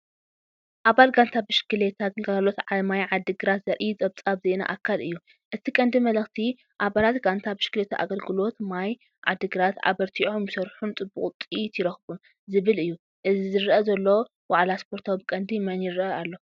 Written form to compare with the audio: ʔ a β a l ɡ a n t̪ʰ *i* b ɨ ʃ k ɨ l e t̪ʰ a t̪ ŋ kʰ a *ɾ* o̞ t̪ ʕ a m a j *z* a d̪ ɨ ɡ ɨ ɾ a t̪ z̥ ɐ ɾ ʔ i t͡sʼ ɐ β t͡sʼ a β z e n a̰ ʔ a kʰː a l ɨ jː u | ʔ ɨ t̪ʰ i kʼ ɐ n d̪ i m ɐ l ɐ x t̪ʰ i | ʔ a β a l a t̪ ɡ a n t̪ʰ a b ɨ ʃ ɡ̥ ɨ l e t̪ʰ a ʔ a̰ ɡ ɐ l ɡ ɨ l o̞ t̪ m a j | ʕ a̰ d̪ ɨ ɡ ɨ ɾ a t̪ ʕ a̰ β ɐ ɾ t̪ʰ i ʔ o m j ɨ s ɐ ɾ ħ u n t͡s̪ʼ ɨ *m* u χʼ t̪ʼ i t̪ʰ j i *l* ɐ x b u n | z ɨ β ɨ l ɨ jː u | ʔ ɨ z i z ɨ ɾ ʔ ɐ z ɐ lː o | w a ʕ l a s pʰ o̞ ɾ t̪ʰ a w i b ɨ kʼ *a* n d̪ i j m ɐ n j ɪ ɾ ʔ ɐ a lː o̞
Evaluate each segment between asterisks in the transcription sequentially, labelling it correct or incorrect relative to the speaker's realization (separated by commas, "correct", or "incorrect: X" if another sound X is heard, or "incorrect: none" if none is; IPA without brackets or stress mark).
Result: incorrect: a, incorrect: l, incorrect: ʕ, incorrect: b, incorrect: ɾ, incorrect: ɐ